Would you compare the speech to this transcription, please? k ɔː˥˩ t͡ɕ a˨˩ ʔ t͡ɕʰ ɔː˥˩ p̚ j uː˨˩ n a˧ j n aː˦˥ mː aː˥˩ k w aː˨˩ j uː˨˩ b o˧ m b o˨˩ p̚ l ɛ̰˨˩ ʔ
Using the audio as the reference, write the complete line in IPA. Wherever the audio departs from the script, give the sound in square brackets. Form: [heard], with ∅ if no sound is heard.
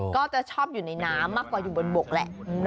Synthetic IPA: k ɔː˥˩ t͡ɕ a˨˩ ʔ t͡ɕʰ ɔː˥˩ p̚ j uː˨˩ n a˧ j n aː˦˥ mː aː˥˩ k w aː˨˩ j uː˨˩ b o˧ [n] b o˨˩ [k̚] l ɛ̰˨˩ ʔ